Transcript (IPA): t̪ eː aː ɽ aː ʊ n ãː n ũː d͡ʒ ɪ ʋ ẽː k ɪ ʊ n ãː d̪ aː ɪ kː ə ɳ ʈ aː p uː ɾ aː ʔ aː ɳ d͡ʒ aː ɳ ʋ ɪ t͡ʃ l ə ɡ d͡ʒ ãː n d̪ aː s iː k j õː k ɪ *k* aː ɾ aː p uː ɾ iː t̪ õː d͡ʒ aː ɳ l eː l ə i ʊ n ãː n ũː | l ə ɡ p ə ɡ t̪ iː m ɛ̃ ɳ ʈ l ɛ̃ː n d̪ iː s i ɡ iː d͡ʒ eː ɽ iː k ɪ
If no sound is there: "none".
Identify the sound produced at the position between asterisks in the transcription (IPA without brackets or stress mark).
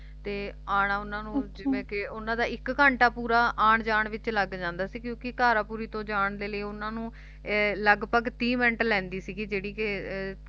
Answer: k